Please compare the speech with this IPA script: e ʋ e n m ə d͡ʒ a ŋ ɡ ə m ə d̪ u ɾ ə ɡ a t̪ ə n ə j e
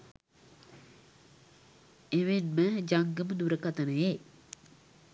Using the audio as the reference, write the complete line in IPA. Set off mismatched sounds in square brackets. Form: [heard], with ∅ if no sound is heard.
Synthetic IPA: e ʋ e n m ə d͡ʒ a ŋ ɡ ə m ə d̪ u ɾ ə [k] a t̪ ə n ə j e